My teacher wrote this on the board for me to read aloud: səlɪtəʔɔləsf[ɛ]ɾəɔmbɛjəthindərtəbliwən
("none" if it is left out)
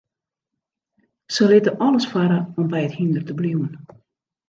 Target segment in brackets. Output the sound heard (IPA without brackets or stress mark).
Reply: a